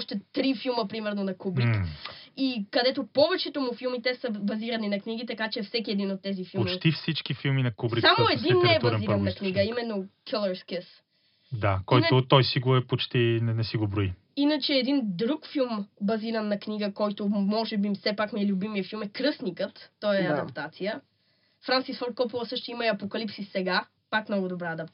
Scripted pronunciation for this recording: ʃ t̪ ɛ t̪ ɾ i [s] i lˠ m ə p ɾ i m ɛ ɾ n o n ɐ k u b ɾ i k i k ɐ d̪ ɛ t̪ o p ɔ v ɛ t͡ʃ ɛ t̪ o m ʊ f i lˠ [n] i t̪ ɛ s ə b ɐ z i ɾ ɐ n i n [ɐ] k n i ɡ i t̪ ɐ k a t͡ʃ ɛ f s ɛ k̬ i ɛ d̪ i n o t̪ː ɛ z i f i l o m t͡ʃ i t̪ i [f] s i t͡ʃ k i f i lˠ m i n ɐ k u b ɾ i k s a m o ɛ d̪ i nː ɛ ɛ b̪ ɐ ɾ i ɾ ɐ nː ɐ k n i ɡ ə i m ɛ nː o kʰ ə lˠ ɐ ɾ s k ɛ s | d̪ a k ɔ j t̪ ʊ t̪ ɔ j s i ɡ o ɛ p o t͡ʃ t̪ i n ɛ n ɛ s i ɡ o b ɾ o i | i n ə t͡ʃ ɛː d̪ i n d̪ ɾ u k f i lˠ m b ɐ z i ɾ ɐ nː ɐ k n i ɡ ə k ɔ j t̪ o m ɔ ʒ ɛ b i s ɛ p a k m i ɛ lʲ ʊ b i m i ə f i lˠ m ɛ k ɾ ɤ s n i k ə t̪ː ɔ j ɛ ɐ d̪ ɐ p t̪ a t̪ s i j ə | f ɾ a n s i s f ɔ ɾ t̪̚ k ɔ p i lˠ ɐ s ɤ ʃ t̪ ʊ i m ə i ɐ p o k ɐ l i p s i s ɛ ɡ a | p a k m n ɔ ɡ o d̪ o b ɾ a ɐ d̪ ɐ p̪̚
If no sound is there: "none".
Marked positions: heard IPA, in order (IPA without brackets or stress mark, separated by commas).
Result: f, m, ɐ, f